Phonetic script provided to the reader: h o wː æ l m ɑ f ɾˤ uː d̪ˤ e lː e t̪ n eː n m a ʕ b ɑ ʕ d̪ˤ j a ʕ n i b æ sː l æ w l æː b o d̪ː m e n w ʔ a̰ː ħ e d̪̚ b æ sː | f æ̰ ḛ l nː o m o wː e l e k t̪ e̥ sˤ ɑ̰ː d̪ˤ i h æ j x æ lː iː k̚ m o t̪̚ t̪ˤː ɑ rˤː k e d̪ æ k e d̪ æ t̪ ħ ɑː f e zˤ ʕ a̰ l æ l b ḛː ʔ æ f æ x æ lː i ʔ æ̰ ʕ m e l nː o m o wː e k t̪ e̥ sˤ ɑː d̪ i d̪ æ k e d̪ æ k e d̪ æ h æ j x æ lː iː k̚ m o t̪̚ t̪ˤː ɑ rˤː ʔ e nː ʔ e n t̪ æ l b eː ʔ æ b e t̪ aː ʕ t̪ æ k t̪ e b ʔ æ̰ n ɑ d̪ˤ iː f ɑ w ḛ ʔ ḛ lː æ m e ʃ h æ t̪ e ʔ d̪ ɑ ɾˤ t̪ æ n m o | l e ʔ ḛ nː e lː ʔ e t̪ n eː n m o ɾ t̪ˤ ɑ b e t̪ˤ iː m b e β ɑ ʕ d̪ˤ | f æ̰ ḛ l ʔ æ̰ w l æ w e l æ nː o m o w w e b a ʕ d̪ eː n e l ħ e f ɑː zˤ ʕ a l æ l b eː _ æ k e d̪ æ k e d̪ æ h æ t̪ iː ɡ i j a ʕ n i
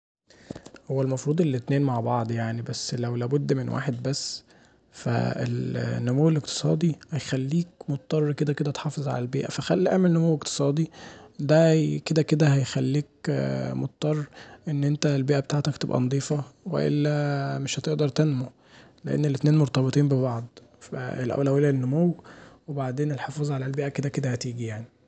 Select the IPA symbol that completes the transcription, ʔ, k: ʔ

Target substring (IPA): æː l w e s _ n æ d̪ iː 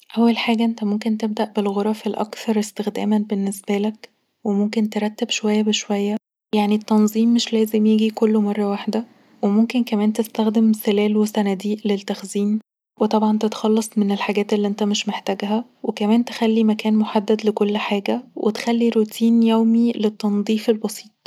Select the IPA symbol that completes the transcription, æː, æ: æ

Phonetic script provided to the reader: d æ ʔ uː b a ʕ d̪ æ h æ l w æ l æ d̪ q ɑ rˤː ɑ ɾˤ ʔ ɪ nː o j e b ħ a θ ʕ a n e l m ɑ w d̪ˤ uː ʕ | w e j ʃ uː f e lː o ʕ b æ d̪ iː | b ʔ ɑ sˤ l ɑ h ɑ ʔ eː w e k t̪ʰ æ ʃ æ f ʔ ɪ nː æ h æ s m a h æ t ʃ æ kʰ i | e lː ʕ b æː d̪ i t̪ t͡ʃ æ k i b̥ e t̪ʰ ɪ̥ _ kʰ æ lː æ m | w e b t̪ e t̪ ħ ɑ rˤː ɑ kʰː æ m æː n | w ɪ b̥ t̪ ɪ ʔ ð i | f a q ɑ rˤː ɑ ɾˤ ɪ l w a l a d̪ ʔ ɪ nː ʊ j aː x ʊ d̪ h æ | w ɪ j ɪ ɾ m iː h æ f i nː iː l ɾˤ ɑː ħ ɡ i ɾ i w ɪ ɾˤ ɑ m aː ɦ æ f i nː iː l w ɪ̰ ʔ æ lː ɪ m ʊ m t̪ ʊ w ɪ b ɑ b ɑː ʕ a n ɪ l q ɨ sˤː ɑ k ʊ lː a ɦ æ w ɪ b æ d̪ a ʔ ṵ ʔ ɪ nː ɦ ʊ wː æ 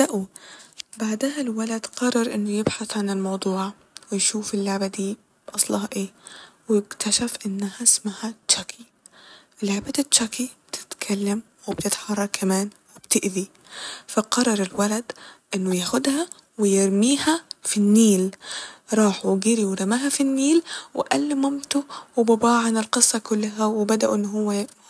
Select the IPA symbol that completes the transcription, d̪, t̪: t̪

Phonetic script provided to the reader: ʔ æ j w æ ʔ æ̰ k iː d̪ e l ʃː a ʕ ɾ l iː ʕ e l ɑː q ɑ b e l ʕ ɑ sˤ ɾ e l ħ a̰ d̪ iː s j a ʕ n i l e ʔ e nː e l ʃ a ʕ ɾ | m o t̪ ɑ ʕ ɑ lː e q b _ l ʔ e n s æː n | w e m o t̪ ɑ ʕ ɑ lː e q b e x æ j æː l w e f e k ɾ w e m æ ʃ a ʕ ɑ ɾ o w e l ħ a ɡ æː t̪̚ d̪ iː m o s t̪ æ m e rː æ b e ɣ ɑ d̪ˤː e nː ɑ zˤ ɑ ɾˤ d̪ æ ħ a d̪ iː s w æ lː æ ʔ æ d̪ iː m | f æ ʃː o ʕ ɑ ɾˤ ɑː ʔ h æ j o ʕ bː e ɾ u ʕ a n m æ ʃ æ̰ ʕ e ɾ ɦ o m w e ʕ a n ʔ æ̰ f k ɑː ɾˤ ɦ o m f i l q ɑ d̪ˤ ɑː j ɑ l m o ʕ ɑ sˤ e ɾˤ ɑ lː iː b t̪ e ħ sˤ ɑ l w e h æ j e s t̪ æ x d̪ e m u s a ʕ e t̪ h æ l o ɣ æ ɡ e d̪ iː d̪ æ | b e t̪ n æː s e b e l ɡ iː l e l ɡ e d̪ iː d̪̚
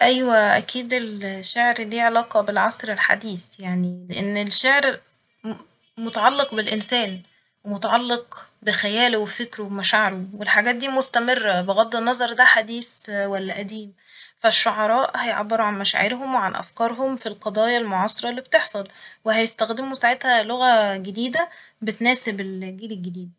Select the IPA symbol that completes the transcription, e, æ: e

